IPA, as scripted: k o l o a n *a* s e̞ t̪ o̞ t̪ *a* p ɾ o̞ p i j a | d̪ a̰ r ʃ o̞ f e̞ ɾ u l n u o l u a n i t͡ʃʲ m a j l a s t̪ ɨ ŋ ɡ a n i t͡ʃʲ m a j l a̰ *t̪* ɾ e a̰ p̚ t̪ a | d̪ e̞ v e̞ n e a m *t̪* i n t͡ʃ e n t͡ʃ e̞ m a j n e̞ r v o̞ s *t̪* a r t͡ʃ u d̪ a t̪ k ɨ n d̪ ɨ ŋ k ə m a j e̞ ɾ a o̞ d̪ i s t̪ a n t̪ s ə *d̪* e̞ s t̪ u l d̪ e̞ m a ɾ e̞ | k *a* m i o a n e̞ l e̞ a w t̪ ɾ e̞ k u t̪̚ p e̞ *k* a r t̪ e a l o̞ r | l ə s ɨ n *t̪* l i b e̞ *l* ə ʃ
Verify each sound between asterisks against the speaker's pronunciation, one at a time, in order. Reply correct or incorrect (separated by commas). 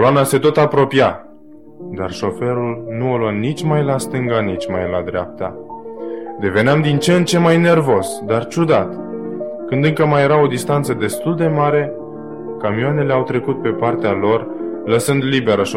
correct, correct, incorrect, incorrect, incorrect, correct, correct, incorrect, incorrect, incorrect